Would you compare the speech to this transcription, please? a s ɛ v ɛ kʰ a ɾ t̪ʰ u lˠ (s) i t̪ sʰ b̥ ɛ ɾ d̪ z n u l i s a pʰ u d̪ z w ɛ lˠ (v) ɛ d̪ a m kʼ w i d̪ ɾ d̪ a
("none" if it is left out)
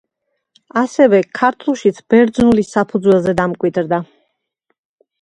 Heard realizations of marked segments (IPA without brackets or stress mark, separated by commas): ʃ, z